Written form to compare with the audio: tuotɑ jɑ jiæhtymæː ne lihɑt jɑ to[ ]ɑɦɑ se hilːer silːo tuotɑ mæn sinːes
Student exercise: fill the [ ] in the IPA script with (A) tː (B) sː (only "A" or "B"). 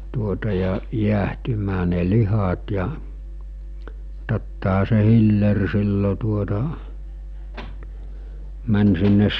A